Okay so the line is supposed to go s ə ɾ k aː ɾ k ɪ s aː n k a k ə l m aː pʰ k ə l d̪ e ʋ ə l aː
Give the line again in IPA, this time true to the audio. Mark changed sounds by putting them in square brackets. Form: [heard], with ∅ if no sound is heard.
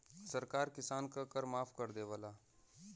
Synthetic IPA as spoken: s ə ɾ k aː ɾ k ɪ s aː n k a k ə [ɾ] m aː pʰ k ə [ɾ] d̪ e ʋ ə l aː